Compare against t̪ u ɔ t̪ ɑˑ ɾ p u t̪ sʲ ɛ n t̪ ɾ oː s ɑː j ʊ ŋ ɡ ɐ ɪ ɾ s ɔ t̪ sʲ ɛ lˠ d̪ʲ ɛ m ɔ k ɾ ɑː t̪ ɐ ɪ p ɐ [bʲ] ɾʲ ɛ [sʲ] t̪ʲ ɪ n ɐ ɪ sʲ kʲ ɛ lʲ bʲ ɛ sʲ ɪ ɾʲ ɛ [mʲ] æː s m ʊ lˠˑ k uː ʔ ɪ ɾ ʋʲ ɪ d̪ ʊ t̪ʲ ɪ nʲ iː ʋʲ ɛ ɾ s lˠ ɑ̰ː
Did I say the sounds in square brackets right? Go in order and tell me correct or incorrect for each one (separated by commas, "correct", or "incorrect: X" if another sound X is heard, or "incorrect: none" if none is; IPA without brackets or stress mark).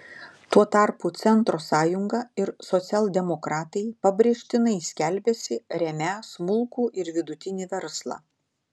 correct, incorrect: ʃʲ, correct